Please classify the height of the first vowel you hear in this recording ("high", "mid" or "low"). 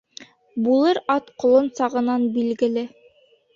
high